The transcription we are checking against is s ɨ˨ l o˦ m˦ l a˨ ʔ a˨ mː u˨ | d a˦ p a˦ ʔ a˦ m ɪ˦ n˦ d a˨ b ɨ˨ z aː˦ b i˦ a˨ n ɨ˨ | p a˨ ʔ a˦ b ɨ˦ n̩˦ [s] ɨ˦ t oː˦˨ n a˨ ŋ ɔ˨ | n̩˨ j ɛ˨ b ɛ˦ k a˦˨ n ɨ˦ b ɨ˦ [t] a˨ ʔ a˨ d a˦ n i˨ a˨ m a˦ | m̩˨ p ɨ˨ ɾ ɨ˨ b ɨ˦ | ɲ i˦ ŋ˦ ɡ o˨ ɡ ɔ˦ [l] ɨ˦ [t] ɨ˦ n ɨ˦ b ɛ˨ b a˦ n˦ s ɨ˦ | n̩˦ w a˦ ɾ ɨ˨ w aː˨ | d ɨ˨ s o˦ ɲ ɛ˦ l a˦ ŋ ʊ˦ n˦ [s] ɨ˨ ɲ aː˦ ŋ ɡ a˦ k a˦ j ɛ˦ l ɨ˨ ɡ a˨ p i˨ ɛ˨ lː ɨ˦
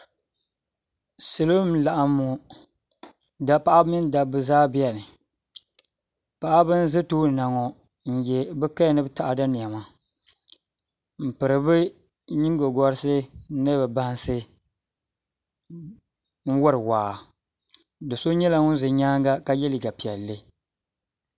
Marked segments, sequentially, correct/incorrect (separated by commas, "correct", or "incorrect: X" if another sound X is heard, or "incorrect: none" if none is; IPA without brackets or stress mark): incorrect: z, correct, incorrect: ɾ, incorrect: s, incorrect: z